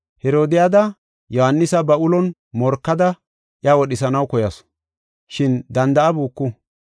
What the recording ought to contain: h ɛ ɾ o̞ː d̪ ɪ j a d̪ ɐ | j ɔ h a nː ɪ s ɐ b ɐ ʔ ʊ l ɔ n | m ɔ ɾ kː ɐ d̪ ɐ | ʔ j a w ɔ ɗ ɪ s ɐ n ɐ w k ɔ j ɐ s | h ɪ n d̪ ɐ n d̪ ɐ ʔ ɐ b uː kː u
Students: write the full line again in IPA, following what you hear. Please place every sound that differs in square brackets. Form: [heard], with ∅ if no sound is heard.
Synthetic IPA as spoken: h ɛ ɾ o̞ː d̪ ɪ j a d̪ ɐ | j ɔ h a nː ɪ s ɐ b ɐ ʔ ʊ l ɔ n | m ɔ ɾ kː ɐ d̪ ɐ | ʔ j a w ɔ ɗ ɪ s ɐ n ɐ w k ɔ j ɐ s | [ʃ] ɪ n d̪ ɐ n d̪ ɐ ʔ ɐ b uː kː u